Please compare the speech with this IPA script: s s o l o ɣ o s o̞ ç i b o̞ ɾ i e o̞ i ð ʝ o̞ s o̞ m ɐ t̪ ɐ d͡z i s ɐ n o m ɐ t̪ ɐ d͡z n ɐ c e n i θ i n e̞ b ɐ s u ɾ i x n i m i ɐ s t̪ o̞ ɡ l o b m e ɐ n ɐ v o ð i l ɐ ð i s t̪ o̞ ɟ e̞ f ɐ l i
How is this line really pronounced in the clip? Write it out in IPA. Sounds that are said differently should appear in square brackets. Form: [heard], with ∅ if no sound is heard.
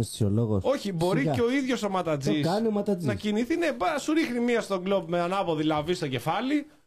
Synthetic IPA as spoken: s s o l o ɣ o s o̞ ç i b o̞ ɾ i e o̞ i ð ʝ o̞ s o̞ m ɐ t̪ ɐ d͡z i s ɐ n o m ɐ t̪ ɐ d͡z n ɐ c [i] n i θ i n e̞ b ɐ s u ɾ i x n i m i ɐ s t̪ o̞ ɡ l o b m e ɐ n ɐ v o ð i l ɐ [v] i s t̪ o̞ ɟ e̞ f ɐ l i